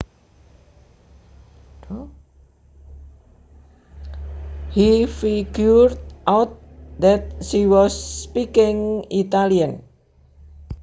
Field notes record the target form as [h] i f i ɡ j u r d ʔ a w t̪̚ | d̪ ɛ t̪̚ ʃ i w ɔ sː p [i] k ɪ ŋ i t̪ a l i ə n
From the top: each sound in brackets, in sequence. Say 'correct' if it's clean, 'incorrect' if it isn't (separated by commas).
correct, correct